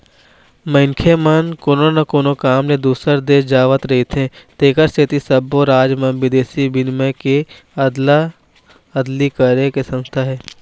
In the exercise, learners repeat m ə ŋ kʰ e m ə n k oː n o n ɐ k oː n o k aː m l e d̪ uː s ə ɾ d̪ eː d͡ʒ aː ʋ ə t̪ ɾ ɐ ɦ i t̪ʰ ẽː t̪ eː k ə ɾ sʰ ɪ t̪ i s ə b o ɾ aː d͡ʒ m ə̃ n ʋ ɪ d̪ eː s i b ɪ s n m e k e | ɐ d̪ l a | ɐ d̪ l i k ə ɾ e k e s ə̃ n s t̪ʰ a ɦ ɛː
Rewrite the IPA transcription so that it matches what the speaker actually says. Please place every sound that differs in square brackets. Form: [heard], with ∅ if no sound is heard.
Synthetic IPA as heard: m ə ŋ kʰ e m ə n k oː n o n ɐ k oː n o k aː m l e d̪ uː s ə ɾ d̪ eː d͡ʒ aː ʋ ə t̪ ɾ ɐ ɦ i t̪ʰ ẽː t̪ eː k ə ɾ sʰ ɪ t̪ i s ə b o ɾ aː d͡ʒ m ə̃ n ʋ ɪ d̪ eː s i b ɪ [∅] n m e k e | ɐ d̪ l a | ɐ d̪ l i k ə ɾ e k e s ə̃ n s t̪ʰ a ɦ ɛː